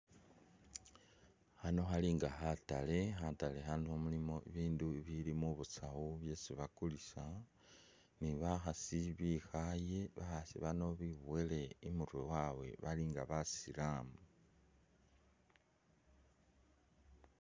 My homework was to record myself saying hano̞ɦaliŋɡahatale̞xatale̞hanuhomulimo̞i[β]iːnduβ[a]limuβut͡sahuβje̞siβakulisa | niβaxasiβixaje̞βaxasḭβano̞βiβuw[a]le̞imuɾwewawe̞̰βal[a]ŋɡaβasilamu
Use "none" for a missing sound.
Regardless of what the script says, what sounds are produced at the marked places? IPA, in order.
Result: β, i, e, i

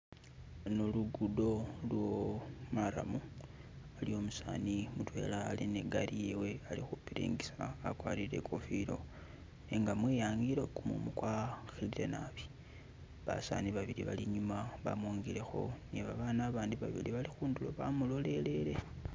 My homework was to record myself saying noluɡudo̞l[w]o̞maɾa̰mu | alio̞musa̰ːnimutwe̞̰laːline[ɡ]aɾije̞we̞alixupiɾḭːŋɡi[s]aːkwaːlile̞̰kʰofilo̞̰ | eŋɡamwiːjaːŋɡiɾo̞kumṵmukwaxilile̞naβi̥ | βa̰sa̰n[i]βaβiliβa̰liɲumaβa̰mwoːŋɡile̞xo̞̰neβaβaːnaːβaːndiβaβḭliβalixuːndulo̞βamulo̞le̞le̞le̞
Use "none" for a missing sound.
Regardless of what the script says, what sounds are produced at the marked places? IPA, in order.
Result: w, ɡ, s, i

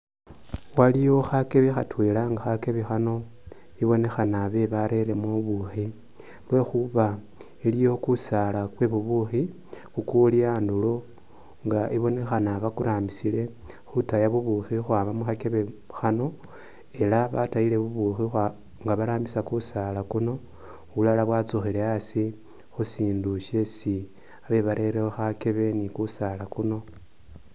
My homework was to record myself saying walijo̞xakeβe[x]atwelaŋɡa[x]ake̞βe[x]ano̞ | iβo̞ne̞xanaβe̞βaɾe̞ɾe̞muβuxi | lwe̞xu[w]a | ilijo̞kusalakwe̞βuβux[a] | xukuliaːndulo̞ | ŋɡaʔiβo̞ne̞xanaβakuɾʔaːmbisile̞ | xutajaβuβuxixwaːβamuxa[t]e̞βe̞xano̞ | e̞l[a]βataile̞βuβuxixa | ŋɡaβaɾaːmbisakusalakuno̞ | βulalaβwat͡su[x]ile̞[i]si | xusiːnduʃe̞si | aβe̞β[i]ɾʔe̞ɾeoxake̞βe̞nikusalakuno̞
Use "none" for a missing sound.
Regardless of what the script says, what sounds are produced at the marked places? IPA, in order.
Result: x, x, x, β, i, k, a, x, a, a

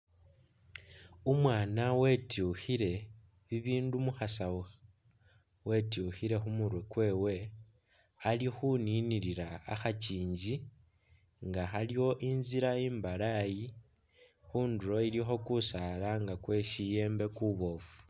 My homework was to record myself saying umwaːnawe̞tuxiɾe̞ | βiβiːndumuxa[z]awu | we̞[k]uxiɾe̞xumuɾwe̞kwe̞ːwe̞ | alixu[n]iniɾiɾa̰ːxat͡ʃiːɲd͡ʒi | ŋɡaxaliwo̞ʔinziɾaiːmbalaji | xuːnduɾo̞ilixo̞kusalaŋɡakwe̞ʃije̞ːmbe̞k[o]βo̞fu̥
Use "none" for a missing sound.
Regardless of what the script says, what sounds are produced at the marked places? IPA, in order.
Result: s, t, n, u

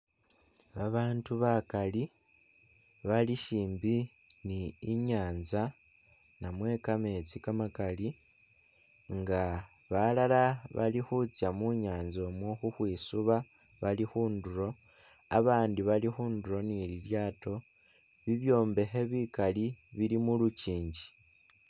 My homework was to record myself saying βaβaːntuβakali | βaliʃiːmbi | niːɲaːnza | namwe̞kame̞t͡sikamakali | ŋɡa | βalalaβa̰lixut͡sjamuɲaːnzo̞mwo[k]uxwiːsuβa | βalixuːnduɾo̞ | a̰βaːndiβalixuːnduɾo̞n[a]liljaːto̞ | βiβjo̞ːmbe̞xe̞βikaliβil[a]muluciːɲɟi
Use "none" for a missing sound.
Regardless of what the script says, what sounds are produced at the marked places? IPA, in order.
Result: x, i, i

